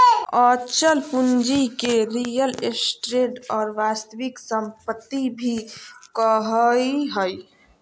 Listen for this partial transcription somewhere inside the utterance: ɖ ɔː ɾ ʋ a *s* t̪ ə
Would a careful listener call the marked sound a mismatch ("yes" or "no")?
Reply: no